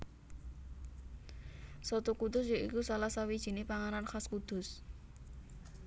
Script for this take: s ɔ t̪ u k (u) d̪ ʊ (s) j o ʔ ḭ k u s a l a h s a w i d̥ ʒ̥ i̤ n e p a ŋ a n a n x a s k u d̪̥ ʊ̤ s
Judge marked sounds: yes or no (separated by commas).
yes, yes